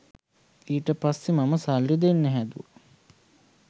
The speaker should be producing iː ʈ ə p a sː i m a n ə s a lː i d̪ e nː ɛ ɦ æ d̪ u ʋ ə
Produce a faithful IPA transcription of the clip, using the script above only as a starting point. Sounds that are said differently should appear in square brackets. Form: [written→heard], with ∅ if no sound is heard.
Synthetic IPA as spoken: iː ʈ ə p a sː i m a [n→m] ə s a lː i d̪ e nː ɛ ɦ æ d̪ u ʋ ə